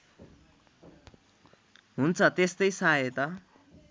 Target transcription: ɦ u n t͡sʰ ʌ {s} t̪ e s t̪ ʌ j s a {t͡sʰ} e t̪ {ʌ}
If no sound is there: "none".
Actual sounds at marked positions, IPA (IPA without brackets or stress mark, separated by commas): none, none, ʌ